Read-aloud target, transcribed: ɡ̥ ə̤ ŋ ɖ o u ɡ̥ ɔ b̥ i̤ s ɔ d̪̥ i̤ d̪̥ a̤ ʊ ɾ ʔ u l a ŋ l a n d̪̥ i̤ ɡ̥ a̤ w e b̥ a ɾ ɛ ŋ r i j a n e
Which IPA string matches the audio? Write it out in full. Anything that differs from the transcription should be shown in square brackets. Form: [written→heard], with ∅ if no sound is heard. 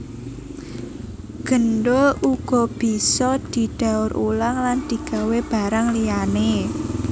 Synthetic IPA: ɡ̥ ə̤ [ŋ→n] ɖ o u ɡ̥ ɔ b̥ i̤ s ɔ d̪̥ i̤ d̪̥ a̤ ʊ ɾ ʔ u l a ŋ l a n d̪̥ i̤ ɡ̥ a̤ w e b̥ a ɾ [ɛ→a] ŋ [r→l] i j a n e